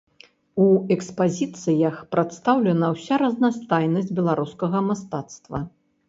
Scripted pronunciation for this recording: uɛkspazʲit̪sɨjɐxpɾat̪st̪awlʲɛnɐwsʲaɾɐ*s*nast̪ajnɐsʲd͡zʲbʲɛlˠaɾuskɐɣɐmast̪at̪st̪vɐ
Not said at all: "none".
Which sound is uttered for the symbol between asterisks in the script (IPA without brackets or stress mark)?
z